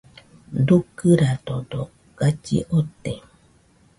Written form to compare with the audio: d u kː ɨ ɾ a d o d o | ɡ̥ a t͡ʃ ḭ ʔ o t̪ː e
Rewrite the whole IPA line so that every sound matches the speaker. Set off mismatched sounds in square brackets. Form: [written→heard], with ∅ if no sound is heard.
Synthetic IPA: d u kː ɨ ɾ a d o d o | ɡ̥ a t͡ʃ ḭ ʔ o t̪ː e